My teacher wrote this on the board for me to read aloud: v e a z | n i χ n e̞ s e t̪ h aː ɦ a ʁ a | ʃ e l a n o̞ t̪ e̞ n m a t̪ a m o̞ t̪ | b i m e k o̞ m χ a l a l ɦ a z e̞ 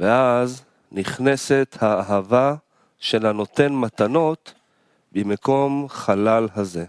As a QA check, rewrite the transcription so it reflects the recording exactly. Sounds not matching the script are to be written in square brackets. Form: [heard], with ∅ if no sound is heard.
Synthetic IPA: v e a z | n i χ n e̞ s e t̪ h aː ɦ a [v] a | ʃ e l a n o̞ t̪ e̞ n m a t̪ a [n] o̞ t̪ | b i m e k o̞ m χ a l a l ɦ a z e̞